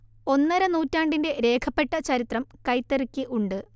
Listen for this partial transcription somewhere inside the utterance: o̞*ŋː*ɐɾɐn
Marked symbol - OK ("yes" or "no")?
no